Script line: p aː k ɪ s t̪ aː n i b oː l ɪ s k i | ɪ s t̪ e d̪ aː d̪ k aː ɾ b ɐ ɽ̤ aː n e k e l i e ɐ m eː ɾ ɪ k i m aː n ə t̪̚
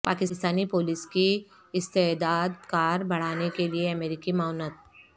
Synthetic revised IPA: p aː k ɪ s t̪ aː n i p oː l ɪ s k i | ɪ s t̪ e d̪ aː d̪ k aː ɾ b ɐ ɽ̤ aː n e k e l i e ɐ m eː ɾ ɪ k i m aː n ə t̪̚